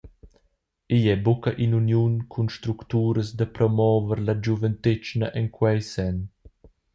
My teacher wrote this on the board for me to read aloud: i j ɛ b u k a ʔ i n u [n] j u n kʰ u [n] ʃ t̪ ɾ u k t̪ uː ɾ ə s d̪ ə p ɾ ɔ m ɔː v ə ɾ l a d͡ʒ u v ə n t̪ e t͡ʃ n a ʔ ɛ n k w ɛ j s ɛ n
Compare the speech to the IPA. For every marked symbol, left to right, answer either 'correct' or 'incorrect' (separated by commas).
correct, correct